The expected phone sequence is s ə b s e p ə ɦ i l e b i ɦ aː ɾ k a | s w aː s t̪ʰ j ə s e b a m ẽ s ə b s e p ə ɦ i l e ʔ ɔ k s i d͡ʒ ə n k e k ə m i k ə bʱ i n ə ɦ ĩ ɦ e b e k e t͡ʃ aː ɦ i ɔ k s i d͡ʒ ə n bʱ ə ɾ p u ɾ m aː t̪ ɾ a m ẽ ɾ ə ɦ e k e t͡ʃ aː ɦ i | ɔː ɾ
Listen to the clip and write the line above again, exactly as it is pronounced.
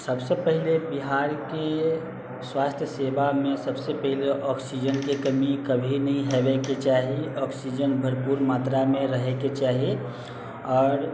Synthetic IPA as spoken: s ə b s e p ə ɦ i l e b i ɦ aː ɾ k e | s w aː s t̪ʰ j ə s e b a m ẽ s ə b s e p ə ɦ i l e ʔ ɔ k s i d͡ʒ ə n k e k ə m i k ə bʱ i n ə ɦ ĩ ɦ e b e k e t͡ʃ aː ɦ i ɔ k s i d͡ʒ ə n bʱ ə ɾ p u ɾ m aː t̪ ɾ a m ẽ ɾ ə ɦ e k e t͡ʃ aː ɦ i | ɔː ɾ